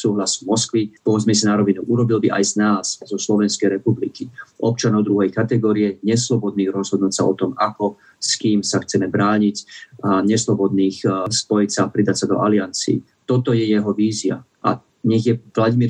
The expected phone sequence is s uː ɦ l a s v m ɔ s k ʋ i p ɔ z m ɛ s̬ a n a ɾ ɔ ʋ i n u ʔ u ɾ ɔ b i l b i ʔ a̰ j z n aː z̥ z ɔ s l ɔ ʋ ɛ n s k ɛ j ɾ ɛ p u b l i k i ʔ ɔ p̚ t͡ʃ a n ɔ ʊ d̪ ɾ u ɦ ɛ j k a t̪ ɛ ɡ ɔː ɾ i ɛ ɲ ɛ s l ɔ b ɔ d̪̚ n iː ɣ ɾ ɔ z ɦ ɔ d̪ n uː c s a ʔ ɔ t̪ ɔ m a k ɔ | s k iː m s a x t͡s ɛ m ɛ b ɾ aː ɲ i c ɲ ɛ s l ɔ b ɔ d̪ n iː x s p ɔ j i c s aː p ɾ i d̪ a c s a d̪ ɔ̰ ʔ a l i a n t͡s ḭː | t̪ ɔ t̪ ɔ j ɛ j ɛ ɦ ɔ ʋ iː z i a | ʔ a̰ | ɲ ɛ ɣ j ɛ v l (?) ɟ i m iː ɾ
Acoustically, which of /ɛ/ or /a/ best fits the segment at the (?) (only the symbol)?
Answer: a